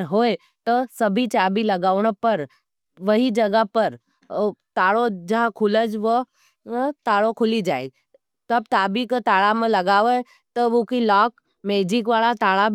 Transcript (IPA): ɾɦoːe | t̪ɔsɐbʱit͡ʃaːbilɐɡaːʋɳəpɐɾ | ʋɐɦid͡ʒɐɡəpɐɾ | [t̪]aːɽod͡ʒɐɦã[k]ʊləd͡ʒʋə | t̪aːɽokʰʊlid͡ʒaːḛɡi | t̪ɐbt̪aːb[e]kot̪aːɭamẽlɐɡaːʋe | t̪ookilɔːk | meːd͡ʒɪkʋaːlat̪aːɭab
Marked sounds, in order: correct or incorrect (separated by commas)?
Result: correct, incorrect, incorrect